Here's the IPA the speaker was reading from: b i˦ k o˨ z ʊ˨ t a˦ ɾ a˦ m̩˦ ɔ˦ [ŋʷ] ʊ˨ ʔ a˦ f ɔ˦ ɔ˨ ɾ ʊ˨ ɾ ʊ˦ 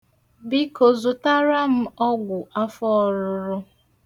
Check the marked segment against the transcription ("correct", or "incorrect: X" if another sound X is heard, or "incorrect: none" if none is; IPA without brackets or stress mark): incorrect: ɡʷ